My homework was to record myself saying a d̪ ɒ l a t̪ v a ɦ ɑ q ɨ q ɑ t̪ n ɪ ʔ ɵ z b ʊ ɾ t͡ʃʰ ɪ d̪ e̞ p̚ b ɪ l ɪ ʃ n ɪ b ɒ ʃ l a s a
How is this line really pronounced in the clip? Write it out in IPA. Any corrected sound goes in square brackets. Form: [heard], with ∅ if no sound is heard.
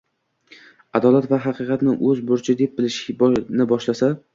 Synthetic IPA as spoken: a d̪ ɒ l a t̪ v a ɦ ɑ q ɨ q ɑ t̪ n ɪ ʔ ɵ z b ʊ ɾ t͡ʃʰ ɪ d̪ e̞ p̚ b ɪ l ɪ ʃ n ɪ b ɒ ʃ l a s a